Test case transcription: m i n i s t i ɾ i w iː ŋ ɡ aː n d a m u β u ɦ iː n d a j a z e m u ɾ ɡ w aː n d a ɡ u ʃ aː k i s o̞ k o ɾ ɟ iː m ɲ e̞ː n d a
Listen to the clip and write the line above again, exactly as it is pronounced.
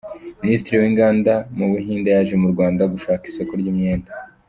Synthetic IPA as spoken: m i n i s t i ɾ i w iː ŋ ɡ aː n d a m u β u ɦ iː n d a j a ʒ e m u ɾ ɡ w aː n d a ɡ u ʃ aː k i s o̞ k o ɾ ɟ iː m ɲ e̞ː n d a